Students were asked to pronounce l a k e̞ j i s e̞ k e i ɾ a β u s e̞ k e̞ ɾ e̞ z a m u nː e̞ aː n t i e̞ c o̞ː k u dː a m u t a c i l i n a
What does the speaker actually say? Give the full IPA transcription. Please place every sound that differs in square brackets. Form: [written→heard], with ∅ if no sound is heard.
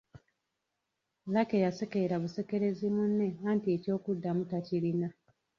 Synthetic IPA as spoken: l a k e̞ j [i→a] s e̞ k e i ɾ a β u s e̞ k e̞ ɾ e̞ z [a→i] m u nː e̞ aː n t i e̞ c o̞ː k u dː a m u t a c i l i n a

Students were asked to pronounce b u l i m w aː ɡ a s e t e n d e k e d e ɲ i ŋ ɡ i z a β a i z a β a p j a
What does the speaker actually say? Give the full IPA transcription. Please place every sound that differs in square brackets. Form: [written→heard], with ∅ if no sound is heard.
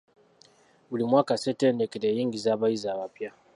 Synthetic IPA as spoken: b u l i m w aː [ɡ→k] a s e t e n d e k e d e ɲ i ŋ ɡ i z a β a i z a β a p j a

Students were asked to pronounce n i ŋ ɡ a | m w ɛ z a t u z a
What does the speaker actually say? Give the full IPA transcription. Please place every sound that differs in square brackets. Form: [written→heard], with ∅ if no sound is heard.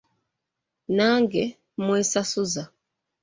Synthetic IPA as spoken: n [i→a] ŋ ɡ [a→ɛ] | m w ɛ [z→s] a [t→s] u z a

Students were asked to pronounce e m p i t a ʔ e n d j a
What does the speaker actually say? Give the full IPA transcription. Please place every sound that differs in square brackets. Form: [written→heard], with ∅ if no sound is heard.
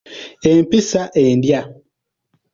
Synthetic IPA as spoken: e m p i [t→s] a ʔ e n d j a

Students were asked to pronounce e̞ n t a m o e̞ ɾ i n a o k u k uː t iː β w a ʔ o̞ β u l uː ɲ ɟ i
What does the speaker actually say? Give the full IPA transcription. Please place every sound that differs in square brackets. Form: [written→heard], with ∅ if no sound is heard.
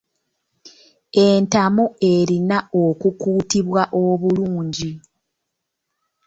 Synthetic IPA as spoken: e̞ n t a m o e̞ ɾ i n a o k u k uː t [iː→i] β w a ʔ o̞ β u l uː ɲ ɟ i

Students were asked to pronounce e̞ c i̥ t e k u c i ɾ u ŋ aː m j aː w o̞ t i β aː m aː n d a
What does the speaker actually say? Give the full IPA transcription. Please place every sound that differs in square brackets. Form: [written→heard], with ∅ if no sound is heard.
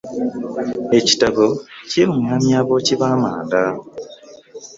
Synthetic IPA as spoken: e̞ c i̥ t [e→a] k [u→o] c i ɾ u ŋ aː m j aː [w→β] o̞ [t→c] i β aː m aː n d a

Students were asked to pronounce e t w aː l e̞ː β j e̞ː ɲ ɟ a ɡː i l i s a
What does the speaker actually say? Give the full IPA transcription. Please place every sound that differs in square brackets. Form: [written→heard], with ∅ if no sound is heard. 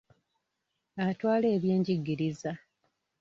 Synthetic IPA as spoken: [e→a] t w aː l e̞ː β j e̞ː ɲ ɟ [a→i] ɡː i [l→ɾ] i [s→z] a

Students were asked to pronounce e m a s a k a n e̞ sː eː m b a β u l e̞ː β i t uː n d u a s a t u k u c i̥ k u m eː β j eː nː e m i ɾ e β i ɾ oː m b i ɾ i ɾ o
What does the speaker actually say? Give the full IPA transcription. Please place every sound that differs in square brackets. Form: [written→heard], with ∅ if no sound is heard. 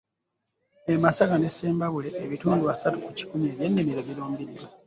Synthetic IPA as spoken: e m a s a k a n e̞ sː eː m b a β u l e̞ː β i t uː n d u a s a t u k u c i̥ k u m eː β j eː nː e m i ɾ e β i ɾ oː m b i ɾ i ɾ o

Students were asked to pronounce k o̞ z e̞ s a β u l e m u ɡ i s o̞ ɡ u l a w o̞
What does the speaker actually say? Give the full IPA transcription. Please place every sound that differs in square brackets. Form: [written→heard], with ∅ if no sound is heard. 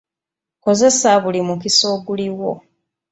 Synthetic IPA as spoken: k o̞ z e̞ s a β u l [e→i] m u [ɡ→k] i s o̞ ɡ u l [a→i] w o̞

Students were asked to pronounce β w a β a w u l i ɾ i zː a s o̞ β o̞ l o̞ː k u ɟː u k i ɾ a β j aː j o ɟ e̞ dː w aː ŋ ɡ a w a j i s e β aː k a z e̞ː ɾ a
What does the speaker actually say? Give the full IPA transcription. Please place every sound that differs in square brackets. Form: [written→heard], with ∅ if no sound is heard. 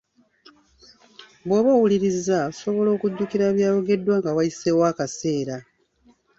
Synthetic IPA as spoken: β w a β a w u l i ɾ i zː a s o̞ β o̞ l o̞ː k u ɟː u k i ɾ a β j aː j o [ɟ→ɡ] e̞ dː w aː ŋ ɡ a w a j i s e [β→w] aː k a [z→s] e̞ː ɾ a

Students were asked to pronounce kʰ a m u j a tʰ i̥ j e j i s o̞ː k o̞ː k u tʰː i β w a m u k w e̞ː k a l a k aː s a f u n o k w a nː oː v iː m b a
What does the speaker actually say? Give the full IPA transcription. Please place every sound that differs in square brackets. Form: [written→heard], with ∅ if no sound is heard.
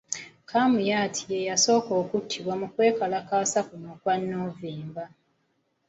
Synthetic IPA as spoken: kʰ a m u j a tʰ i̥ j e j [i→a] s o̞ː k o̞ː k u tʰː i β w a m u k w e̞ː k a l a k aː s a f u n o k w a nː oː v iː m b a

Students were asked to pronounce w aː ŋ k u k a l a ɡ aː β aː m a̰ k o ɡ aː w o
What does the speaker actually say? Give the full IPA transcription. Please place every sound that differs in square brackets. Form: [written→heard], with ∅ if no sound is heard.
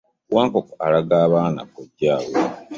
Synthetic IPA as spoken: w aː ŋ k [u→o] k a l a ɡ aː β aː [m→n] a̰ k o [ɡ→ɟ] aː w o

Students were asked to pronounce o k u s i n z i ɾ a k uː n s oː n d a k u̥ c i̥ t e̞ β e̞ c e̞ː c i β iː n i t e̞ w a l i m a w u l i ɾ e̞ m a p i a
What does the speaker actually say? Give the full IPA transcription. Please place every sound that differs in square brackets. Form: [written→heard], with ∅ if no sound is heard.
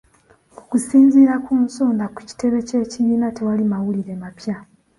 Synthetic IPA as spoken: o k u s [i→iː] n z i ɾ a k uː n s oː n d a k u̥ c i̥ t e̞ β e̞ c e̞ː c i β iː n [i→a] t e̞ w a l i m a w u l i ɾ e̞ m a p [i→j] a

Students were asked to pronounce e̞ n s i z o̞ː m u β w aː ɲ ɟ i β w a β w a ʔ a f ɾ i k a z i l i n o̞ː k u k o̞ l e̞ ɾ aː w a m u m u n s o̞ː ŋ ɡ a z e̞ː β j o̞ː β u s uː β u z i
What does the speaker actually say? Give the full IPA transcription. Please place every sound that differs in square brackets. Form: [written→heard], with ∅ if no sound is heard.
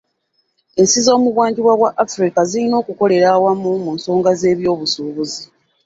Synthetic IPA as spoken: e̞ n s i z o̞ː m u β w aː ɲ ɟ i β w a β w a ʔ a f ɾ i k a z i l i n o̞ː k u k o̞ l e̞ ɾ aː w a m u m u n s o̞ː ŋ ɡ a z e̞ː β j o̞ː β u s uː β u z i

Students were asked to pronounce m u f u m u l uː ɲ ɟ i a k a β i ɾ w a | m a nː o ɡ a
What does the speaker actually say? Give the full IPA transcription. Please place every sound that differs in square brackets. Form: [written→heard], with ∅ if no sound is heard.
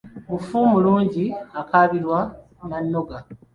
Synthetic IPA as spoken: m u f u m u l uː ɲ ɟ i a k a β i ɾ w a | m a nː o ɡ a

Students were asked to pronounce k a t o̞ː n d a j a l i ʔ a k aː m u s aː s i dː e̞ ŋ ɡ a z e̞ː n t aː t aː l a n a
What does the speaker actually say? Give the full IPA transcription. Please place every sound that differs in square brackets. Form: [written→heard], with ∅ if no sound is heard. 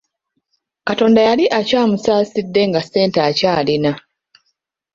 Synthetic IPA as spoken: k a t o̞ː n d a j a l i ʔ a [k→c] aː m u s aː s i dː e̞ ŋ ɡ a [z→s] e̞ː n t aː [t→c] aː l [a→i] n a

